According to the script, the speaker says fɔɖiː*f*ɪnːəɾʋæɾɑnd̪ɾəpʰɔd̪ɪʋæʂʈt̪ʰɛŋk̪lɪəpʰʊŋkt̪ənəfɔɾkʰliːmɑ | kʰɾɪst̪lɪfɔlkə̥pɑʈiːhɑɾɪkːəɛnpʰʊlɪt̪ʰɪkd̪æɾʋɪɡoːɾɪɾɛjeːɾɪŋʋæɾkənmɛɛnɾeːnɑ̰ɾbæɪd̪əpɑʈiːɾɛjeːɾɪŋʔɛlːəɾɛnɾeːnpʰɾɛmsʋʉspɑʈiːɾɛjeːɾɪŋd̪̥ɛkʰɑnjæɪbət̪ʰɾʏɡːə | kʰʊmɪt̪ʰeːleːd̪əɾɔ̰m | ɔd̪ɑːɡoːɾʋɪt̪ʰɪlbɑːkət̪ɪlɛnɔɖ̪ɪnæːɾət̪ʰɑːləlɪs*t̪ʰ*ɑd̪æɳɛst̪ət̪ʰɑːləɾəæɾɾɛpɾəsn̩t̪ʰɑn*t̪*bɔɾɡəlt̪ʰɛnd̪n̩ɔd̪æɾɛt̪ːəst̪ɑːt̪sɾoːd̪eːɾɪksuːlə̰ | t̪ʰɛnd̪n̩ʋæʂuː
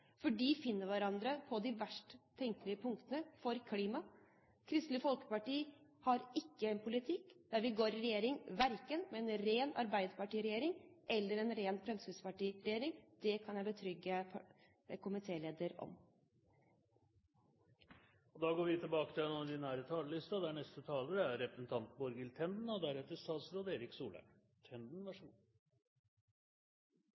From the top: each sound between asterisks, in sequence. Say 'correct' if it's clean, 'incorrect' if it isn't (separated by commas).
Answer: correct, incorrect, correct